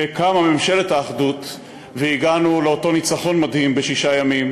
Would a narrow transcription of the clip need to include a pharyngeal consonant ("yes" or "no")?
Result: no